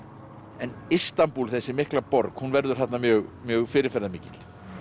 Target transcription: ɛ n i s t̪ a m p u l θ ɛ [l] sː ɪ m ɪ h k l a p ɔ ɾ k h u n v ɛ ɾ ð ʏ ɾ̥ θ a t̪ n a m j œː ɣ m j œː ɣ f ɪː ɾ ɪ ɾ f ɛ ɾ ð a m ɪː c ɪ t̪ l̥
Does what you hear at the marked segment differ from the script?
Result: yes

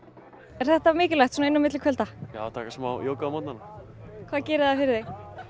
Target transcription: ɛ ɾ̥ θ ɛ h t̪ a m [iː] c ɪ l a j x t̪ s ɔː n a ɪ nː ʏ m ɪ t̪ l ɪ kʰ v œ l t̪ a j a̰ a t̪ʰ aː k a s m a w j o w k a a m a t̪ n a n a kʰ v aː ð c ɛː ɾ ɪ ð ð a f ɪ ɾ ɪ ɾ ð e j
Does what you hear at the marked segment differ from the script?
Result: yes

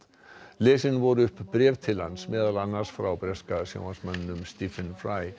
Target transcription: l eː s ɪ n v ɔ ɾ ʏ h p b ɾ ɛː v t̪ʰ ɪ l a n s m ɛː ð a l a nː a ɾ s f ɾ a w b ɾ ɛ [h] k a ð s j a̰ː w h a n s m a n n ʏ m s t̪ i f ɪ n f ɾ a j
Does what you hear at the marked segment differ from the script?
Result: yes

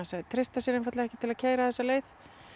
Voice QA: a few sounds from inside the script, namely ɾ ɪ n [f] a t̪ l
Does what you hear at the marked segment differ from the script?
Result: no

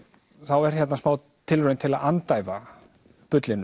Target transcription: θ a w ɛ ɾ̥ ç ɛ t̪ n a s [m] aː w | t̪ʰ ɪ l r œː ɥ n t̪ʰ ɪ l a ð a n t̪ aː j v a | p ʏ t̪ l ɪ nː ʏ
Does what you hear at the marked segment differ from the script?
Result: no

